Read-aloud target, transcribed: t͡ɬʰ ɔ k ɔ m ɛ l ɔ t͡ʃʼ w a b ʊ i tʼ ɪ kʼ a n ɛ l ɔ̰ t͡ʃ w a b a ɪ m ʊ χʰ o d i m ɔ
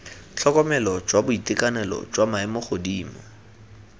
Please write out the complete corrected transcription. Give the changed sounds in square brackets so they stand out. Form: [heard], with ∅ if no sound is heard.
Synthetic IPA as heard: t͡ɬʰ ɔ k ɔ m ɛ l ɔ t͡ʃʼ w a b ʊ i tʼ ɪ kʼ a n ɛ l ɔ̰ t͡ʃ w a [m] a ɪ m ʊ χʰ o d [iː] m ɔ